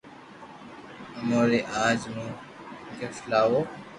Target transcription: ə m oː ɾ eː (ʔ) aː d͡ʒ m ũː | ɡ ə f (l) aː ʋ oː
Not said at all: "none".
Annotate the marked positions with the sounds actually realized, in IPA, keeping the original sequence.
ʔ, l

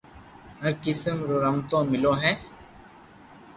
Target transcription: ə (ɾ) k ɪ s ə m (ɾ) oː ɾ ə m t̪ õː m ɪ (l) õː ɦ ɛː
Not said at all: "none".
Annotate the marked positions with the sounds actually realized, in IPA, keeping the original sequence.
ɾ, ɾ, l

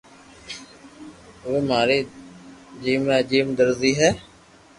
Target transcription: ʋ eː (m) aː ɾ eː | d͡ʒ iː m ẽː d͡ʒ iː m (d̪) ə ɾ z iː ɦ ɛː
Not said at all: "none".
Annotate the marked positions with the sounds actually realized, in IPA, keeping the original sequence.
m, d̪

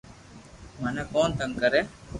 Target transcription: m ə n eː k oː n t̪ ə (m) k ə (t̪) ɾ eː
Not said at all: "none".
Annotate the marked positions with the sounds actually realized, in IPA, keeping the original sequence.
ŋ, none

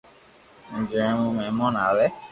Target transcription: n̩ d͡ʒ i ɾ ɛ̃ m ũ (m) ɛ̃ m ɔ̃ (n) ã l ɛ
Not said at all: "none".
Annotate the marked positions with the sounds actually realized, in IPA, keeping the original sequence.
m, n

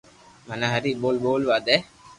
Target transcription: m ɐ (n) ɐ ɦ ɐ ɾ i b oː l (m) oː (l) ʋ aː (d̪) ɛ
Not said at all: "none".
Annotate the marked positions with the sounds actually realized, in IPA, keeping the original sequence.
n, b, l, d̪

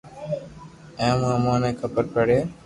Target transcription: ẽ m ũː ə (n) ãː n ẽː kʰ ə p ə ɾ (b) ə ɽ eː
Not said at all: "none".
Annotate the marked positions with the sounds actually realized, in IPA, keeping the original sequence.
m, p

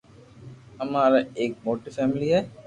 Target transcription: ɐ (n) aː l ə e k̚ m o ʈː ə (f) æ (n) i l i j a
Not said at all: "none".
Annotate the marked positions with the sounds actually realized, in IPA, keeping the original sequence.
m, f, m

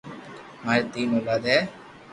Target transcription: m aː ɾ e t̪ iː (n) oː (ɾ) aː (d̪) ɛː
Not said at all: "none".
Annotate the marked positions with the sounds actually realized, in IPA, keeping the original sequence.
n, l, d̪

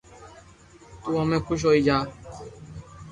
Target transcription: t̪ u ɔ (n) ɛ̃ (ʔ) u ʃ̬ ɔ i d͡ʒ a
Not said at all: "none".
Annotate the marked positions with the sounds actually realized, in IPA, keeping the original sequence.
m, k

